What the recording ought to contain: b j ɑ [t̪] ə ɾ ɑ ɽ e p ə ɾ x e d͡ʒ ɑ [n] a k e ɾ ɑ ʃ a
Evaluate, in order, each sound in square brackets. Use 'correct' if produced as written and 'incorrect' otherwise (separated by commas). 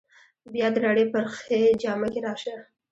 incorrect, incorrect